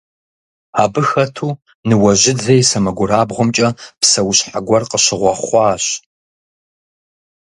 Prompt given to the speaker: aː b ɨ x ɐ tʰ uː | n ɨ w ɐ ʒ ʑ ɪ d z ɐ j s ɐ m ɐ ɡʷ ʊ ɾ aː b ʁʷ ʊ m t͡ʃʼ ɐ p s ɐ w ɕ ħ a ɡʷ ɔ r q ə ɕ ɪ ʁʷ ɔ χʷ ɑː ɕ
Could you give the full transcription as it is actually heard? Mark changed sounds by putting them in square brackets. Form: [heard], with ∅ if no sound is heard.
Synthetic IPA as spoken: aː b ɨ x ɐ tʰ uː | n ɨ w ɐ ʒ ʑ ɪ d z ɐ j s ɐ m ɐ ɡʷ ʊ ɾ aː b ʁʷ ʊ m t͡ʃʼ ɐ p s ɐ w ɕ ħ a ɡʷ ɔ r q ə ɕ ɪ ʁʷ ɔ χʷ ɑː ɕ